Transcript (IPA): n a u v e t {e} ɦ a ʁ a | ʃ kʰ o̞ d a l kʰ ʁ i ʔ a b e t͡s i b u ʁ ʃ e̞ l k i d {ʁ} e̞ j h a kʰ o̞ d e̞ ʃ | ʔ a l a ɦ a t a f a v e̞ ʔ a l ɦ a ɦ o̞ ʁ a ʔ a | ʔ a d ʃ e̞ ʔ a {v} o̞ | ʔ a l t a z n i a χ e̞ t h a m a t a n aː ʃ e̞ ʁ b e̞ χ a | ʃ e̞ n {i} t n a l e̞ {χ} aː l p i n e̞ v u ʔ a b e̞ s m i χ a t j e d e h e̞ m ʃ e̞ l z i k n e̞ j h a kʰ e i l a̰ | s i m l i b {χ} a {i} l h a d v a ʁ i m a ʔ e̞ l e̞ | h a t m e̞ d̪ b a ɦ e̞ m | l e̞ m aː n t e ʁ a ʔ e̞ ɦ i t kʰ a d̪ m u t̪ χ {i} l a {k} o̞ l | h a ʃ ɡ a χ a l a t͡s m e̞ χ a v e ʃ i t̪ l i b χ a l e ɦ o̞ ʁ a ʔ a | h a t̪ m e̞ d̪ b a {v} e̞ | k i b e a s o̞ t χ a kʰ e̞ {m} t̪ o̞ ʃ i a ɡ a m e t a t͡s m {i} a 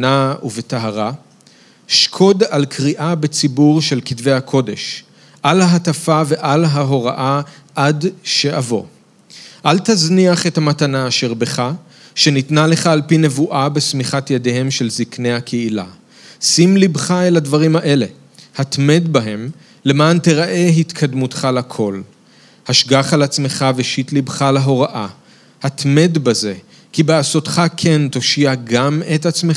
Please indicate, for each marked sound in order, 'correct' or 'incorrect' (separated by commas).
incorrect, incorrect, correct, correct, correct, correct, incorrect, incorrect, incorrect, incorrect, incorrect, incorrect